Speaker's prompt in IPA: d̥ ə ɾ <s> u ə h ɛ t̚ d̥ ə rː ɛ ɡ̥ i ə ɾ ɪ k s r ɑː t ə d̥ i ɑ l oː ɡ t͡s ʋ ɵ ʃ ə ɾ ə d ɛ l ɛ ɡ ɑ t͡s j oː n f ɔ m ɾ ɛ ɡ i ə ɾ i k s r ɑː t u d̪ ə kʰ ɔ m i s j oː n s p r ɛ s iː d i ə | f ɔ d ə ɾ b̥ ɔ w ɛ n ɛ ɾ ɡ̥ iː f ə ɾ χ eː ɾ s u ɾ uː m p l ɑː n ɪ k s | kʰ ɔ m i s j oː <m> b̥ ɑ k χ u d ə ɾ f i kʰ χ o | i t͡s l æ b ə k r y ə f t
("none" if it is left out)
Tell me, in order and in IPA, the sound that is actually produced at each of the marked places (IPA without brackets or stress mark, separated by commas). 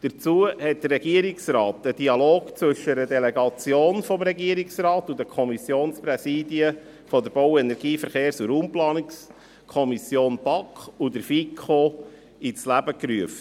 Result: t͡s, n